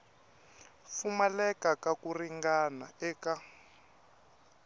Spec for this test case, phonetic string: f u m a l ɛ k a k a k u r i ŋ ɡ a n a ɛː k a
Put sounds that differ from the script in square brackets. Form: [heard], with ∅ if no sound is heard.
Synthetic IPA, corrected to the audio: f u m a l ɛ k a k a k u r i ŋ ɡ a n a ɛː k a